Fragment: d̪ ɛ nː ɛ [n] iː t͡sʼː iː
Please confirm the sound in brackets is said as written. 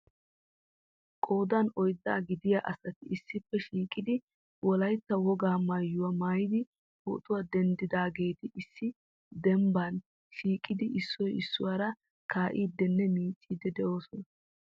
no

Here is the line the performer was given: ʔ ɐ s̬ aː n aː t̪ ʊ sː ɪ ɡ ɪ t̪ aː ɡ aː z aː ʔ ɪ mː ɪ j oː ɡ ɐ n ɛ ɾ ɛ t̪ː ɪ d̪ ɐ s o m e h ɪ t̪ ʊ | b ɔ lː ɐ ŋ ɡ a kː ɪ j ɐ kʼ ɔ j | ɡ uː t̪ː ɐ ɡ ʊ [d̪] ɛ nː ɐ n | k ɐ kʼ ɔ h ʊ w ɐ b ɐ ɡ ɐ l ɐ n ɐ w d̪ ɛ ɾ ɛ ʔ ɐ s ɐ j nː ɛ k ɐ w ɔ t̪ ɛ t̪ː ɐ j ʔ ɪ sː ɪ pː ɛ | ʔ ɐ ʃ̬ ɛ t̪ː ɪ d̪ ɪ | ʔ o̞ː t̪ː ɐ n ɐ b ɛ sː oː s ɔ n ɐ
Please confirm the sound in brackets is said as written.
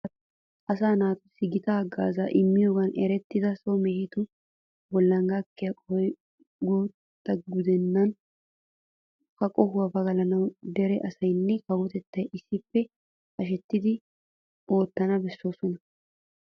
yes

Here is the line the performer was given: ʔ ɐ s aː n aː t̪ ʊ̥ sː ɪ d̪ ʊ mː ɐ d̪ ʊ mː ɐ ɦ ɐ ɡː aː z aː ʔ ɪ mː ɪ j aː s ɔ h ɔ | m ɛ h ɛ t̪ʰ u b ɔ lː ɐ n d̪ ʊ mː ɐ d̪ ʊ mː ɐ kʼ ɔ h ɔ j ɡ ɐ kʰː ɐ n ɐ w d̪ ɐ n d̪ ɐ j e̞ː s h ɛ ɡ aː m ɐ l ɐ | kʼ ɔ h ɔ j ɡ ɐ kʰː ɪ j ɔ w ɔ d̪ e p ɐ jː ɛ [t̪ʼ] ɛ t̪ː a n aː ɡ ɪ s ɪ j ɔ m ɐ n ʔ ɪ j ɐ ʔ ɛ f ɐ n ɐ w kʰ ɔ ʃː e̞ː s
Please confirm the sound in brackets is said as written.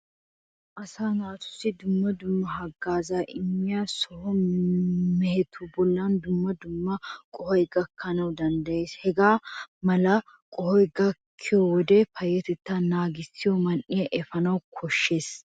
no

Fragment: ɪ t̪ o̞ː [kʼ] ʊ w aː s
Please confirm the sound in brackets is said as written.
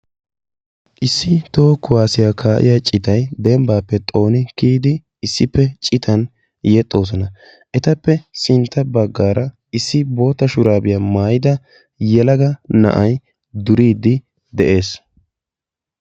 no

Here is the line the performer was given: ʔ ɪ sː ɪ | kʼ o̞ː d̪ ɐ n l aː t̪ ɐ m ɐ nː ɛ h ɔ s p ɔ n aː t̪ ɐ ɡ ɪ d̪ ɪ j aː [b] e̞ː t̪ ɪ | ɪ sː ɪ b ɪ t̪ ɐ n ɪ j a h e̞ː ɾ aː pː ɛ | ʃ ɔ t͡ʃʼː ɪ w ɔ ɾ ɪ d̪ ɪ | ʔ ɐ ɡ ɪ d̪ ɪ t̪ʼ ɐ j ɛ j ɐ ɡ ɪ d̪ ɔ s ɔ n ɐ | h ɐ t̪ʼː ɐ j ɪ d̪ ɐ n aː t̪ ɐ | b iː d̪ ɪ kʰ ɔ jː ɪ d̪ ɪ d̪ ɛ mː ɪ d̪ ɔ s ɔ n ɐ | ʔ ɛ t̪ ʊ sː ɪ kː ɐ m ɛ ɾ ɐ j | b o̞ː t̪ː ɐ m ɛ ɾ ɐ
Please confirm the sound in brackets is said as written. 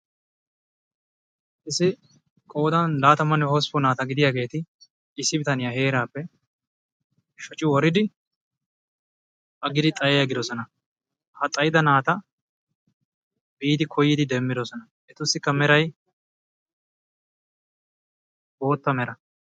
no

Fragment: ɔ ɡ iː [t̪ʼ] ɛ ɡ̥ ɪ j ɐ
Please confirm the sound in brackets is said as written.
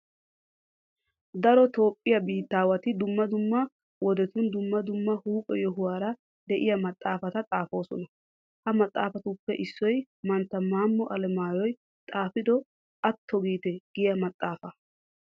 no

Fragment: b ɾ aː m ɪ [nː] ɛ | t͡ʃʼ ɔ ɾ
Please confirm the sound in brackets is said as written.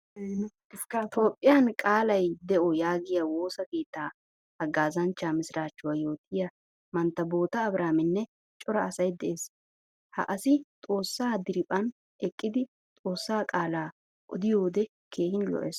yes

